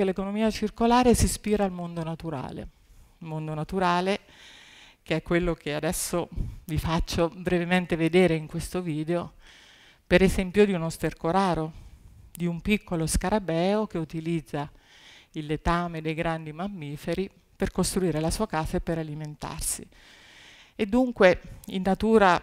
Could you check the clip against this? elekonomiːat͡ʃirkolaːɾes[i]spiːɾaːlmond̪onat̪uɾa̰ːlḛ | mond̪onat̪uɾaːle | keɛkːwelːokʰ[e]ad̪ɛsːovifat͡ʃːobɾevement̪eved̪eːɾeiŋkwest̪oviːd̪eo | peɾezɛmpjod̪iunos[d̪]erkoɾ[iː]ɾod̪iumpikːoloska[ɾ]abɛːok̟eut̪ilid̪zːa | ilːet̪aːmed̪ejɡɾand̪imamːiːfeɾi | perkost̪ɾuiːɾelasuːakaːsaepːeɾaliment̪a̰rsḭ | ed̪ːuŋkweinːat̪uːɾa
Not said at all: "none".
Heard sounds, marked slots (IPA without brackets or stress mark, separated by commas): i, e, t̪, aː, ɾ